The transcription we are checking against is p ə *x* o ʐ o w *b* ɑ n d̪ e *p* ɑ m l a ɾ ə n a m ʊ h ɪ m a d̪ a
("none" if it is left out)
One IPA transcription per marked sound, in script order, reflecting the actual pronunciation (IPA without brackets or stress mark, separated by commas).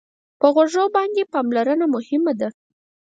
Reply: ɣ, b, p